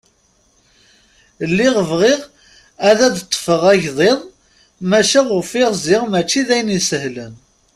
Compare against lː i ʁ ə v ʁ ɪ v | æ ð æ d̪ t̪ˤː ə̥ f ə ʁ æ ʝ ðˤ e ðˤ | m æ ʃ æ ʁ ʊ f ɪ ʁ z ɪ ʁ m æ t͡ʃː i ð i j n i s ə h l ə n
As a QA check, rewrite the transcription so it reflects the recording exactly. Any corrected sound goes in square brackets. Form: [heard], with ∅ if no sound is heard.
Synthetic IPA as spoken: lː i ʁ ə v ʁ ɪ [ʁ] | æ ð æ d̪ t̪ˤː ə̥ f ə ʁ æ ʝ ðˤ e ðˤ | m æ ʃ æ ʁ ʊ f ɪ ʁ z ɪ ʁ m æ t͡ʃː i ð [æ] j n i s ə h l ə n